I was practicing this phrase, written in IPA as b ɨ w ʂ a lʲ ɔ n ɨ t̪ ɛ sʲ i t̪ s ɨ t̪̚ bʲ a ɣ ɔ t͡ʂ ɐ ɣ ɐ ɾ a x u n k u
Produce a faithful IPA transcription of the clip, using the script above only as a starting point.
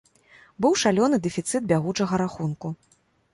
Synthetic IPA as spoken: b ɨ w ʂ a lʲ ɔ n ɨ d̪ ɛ fʲ i t̪ s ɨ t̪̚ bʲ a ɣ u t͡ʂ ɐ ɣ ɐ ɾ a x u n k u